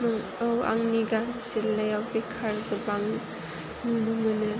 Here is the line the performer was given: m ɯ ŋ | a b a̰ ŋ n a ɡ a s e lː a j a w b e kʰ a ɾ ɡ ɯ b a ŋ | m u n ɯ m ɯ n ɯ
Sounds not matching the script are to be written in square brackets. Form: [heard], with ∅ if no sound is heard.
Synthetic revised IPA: m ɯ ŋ | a [w] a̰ ŋ n [i] ɡ a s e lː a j a w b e kʰ a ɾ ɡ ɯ b a ŋ | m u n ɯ m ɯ n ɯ